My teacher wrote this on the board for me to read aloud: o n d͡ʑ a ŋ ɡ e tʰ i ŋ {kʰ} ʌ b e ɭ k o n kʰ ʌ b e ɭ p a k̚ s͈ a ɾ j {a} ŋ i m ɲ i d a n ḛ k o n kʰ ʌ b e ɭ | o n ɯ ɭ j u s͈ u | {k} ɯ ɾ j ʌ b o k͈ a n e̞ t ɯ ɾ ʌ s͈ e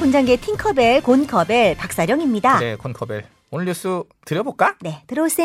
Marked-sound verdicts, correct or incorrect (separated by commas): correct, incorrect, incorrect